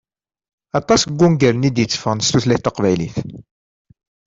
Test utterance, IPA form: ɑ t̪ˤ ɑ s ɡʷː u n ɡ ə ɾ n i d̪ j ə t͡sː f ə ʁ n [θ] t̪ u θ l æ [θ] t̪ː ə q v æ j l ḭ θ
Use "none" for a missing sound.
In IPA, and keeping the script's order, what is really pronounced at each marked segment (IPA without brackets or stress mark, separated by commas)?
s, θ